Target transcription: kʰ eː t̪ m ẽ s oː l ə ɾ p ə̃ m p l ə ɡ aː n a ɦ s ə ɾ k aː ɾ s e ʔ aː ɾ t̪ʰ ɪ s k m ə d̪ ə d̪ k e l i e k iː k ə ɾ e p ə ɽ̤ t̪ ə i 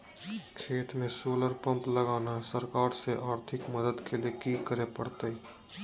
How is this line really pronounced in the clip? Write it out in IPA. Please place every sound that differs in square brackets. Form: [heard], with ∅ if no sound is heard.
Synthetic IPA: kʰ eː t̪ m ẽ s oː l ə ɾ p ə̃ m p l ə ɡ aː n a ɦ s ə ɾ k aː ɾ s e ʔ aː ɾ t̪ʰ ɪ [∅] k m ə d̪ ə d̪ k e l i e k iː k ə ɾ e p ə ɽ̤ t̪ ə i